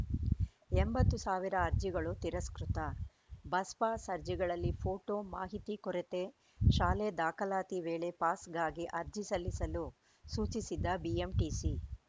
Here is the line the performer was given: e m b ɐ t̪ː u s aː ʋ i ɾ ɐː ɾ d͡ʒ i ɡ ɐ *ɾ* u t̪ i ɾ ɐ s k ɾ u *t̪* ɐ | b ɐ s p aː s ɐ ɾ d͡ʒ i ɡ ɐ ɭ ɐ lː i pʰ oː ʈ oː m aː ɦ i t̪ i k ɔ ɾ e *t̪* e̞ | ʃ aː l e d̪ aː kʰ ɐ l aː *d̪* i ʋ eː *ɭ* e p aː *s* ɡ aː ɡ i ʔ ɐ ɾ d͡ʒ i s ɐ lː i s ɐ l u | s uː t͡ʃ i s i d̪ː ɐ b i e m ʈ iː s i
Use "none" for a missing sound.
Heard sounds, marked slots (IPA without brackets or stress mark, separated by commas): ɭ, t̪, t̪, t̪, ɭ, s